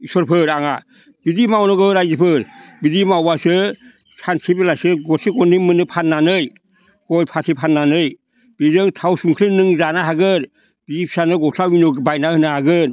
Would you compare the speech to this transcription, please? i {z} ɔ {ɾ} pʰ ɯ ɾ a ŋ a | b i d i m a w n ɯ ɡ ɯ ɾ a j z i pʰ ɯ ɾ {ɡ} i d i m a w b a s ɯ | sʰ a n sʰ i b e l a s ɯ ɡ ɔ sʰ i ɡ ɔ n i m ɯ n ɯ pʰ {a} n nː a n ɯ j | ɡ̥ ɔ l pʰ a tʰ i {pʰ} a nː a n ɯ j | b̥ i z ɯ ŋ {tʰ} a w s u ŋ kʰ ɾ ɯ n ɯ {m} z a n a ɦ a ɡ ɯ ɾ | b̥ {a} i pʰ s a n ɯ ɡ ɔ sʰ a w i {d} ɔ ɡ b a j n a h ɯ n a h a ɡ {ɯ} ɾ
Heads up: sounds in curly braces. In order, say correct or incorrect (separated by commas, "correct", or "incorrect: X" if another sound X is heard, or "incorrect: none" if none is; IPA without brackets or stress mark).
incorrect: s, correct, incorrect: b, correct, correct, correct, incorrect: ŋ, incorrect: i, incorrect: n, correct